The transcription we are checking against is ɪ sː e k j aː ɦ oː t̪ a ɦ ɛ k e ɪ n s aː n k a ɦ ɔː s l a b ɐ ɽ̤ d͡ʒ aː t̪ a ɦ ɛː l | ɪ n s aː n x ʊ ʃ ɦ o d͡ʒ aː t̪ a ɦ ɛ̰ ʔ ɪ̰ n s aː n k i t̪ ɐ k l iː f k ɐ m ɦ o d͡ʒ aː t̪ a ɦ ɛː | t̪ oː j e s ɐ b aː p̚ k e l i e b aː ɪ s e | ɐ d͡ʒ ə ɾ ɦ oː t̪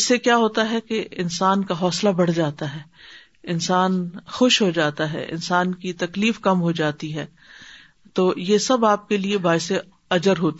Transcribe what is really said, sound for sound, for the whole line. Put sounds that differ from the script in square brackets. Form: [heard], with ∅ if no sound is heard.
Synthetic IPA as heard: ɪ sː e k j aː ɦ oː t̪ a ɦ ɛ k e ɪ n s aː n k a ɦ ɔː s l a b ɐ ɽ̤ d͡ʒ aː t̪ a ɦ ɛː [∅] | ɪ n s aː n x ʊ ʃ ɦ o d͡ʒ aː t̪ a ɦ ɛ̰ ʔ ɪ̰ n s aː n k i t̪ ɐ k l iː f k ɐ m ɦ o d͡ʒ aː t̪ [i] ɦ ɛː | t̪ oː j e s ɐ b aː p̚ k e l i e b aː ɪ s e | ɐ d͡ʒ ə ɾ ɦ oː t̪